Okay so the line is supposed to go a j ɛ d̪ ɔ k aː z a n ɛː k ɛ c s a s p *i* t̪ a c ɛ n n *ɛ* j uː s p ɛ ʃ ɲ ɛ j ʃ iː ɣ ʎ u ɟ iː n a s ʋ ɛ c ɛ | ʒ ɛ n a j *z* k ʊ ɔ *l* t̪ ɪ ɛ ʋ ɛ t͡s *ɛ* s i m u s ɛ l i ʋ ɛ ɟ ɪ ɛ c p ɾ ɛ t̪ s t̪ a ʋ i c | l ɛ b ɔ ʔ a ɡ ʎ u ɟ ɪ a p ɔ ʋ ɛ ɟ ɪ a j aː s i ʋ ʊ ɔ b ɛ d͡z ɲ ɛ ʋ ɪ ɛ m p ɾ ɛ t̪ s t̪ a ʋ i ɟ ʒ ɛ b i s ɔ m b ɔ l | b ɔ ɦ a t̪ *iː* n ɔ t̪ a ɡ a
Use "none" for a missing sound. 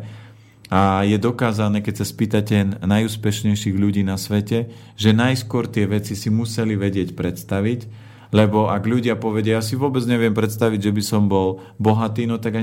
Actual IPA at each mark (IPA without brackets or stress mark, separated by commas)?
iː, a, s, ɾ, i, iː